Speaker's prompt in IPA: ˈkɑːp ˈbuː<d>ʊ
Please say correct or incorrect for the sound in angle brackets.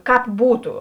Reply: incorrect: t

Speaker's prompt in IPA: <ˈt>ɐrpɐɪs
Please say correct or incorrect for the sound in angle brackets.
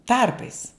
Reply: correct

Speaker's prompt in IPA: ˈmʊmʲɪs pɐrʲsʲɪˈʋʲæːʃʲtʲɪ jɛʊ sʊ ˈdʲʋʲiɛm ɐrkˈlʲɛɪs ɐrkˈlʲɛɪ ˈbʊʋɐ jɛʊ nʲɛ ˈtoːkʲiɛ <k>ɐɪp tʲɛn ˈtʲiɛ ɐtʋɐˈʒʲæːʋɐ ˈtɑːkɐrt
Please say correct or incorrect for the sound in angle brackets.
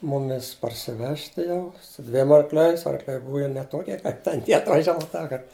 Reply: correct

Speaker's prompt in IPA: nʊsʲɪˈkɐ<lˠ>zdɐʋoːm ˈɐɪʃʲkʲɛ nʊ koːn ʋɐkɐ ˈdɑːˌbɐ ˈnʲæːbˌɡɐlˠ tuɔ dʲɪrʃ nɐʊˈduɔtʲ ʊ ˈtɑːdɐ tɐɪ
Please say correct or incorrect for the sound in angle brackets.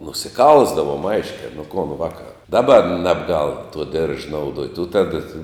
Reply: correct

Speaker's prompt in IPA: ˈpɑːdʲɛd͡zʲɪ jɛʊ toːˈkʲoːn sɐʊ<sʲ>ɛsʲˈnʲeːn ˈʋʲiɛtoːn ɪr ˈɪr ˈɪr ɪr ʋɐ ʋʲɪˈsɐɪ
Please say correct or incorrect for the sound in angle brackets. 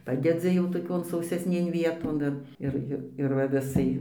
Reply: correct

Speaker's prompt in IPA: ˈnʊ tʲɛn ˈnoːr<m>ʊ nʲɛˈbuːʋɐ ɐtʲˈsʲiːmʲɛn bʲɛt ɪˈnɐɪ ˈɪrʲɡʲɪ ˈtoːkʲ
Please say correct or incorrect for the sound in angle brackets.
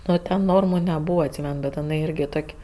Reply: correct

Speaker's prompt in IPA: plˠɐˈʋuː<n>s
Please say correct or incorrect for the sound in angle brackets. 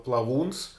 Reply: correct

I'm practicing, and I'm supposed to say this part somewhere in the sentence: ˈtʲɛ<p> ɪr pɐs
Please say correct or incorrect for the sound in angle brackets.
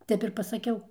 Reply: correct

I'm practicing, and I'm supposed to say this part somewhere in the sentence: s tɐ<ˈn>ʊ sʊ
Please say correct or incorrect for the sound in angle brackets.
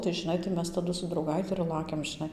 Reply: incorrect: d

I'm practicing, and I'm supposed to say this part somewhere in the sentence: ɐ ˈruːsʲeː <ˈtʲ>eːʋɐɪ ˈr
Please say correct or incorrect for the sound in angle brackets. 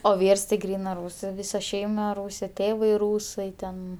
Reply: correct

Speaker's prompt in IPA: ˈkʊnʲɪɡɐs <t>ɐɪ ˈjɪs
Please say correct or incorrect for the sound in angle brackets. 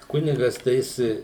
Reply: correct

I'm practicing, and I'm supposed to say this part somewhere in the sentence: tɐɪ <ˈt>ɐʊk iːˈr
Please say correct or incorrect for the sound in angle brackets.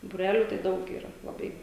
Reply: incorrect: d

